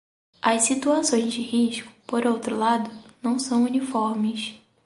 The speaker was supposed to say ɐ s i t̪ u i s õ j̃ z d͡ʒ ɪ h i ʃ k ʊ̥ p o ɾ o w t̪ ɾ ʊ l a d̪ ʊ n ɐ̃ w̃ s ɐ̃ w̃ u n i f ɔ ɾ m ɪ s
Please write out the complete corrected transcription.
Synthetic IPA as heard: ɐ s i t̪ u a s õ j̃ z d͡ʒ ɪ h i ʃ k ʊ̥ p o ɾ o w t̪ ɾ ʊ l a d̪ ʊ n ɐ̃ w̃ s ɐ̃ w̃ u n i f ɔ ɾ m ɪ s